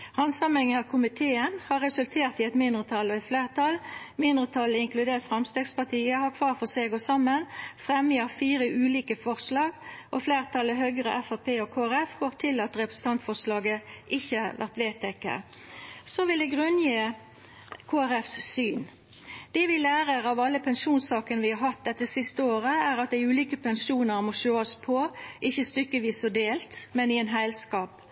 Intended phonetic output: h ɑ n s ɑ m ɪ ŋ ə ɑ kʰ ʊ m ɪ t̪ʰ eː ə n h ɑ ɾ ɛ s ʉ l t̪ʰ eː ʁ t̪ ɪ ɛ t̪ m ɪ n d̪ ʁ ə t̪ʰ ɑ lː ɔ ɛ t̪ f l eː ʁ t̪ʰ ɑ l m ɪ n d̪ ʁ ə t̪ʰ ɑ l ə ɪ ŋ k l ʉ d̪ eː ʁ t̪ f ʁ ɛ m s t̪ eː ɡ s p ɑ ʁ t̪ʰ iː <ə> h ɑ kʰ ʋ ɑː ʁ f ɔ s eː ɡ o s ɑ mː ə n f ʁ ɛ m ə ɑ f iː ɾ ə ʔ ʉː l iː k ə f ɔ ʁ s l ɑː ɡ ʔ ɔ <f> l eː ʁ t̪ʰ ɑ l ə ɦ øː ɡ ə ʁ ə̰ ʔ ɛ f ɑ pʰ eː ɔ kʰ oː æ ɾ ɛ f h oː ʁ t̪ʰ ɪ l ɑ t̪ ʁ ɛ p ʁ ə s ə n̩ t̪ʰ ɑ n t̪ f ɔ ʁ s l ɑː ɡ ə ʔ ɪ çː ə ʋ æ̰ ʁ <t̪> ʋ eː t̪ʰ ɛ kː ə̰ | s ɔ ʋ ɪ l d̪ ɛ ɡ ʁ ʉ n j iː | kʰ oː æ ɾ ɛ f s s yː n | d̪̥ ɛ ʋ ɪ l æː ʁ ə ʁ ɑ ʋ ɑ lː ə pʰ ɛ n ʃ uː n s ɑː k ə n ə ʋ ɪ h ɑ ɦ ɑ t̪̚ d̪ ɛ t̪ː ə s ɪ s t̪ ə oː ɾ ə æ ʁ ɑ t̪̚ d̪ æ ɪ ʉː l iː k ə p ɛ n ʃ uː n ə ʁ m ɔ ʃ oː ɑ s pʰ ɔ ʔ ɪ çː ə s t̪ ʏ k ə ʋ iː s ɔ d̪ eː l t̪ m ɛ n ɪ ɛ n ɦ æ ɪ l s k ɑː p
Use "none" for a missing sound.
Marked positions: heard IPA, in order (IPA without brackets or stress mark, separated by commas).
ə, f, t̪